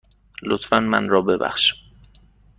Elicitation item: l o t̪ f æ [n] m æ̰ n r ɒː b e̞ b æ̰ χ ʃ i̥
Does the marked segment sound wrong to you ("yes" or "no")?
no